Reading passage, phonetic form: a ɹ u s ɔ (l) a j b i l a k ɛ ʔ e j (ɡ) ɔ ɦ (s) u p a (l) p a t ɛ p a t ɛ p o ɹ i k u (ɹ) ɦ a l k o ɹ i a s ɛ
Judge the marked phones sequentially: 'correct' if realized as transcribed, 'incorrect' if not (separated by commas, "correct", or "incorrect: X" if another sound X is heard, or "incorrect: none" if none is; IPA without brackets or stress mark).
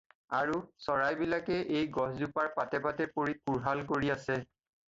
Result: incorrect: ɹ, correct, incorrect: z, incorrect: ɹ, correct